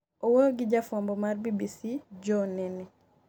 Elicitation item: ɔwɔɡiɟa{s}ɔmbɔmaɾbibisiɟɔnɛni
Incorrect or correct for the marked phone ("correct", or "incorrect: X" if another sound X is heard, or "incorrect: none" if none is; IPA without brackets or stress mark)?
incorrect: f